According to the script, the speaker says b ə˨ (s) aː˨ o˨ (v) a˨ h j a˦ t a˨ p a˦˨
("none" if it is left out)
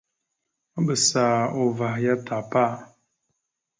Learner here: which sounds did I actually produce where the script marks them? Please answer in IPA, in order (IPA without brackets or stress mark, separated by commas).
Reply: s, v